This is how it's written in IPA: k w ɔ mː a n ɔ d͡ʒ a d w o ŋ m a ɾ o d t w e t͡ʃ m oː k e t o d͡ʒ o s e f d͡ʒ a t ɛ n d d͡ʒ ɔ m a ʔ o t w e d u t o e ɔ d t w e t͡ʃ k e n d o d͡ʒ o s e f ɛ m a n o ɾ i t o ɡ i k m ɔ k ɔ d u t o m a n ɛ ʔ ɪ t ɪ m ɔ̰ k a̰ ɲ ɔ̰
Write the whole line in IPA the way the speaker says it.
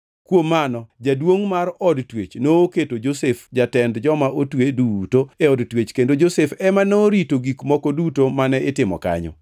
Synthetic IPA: k w o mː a n ɔ d͡ʒ a d w o ŋ m a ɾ ɔ d t w e t͡ʃ n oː k e t o d͡ʒ o s e f d͡ʒ a t ɛ n d d͡ʒ ɔ m a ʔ o t w e d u t o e ɔ d t w e t͡ʃ k e n d o d͡ʒ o s e f ɛ m a n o ɾ i t o ɡ i k m ɔ k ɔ d u t o m a n ɛ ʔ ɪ t ɪ m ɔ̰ k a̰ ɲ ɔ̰